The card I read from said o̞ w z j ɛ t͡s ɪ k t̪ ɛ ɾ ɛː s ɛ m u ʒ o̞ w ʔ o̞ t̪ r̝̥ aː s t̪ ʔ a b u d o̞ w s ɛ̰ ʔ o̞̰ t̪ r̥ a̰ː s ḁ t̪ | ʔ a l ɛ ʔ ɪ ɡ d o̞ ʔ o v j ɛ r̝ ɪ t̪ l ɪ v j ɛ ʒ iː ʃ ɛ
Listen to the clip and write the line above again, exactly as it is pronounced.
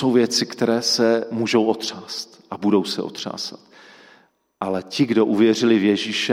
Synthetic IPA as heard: o̞ w v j ɛ t͡s ɪ k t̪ ɛ ɾ ɛː s ɛ m u ʒ o̞ w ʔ o̞ t̪ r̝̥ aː s t̪ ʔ a b u d o̞ w s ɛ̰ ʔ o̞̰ t̪ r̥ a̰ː s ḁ t̪ | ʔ a l ɛ c ɪ ɡ d o̞ ʔ u v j ɛ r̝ ɪ l ɪ v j ɛ ʒ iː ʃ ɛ